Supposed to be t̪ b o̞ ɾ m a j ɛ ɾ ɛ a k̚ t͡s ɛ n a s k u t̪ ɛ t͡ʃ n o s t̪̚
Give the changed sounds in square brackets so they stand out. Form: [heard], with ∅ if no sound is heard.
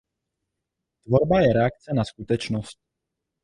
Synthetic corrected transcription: t̪ [v] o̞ ɾ [b] a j ɛ ɾ ɛ a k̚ t͡s ɛ n a s k u t̪ ɛ t͡ʃ n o s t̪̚